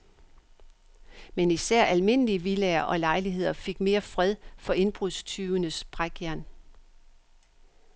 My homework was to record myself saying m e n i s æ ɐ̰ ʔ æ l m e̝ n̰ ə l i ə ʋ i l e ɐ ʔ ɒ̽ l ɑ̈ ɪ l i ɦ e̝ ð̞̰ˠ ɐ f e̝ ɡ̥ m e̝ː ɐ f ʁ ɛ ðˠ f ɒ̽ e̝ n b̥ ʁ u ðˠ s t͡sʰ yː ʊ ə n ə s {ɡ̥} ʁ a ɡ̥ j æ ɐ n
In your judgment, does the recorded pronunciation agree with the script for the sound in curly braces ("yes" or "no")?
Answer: no